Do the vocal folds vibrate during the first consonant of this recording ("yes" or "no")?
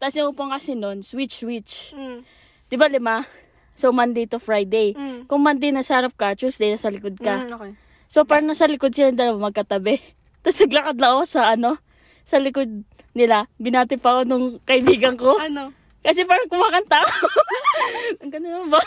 no